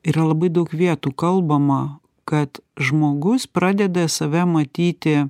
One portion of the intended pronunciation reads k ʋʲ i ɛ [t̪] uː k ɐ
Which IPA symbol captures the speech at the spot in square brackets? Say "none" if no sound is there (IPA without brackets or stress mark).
t̪